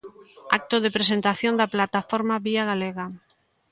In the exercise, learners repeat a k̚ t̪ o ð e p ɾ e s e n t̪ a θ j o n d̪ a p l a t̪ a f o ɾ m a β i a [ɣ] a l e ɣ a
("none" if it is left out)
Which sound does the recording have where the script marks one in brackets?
ɣ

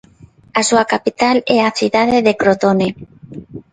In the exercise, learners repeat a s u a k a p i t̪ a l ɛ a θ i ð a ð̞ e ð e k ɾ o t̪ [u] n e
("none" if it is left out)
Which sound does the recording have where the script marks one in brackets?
o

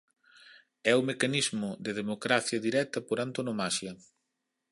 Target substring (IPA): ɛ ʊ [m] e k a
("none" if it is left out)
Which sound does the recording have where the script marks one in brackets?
m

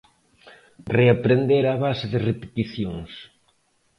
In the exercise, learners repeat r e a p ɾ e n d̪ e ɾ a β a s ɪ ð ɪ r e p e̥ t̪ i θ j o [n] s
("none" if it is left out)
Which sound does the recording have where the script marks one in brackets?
ŋ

